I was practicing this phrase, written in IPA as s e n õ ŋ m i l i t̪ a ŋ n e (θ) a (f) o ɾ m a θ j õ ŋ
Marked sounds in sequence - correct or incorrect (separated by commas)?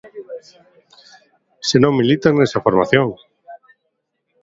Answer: incorrect, correct